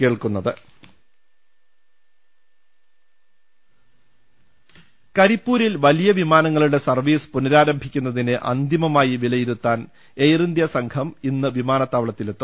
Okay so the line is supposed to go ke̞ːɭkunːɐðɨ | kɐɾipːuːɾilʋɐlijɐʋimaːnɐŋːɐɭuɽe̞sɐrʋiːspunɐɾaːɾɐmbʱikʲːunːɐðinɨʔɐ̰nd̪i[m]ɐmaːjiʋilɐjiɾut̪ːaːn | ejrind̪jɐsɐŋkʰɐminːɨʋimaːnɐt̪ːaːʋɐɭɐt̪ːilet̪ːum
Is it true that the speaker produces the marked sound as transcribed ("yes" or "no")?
yes